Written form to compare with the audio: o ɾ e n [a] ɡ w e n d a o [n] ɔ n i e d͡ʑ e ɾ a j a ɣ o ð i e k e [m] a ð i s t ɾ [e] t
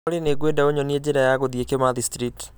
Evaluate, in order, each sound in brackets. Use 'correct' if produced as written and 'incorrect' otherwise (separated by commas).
incorrect, incorrect, correct, incorrect